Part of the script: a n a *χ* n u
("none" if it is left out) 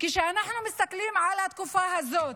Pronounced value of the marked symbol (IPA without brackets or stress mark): ħ